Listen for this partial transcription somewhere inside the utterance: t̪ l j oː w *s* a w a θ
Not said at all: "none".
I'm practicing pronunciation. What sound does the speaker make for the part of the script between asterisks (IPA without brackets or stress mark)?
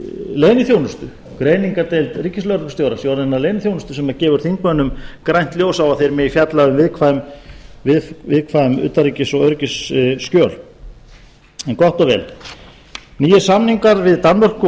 s